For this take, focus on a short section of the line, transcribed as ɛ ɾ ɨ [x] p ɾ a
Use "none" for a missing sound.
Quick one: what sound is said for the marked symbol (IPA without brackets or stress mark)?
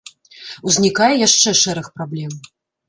x